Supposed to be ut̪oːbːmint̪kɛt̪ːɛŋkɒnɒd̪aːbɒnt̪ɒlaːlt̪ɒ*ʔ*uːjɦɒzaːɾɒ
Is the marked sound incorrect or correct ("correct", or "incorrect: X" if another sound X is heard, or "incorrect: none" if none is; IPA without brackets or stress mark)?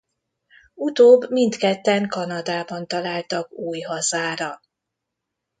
incorrect: k